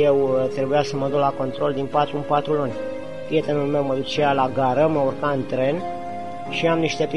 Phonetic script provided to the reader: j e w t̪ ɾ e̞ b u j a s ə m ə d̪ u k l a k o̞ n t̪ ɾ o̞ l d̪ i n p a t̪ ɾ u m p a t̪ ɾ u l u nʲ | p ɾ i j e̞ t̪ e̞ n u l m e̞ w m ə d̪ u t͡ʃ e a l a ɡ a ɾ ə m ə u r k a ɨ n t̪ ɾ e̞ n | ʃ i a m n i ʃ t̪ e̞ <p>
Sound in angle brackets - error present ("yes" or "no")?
no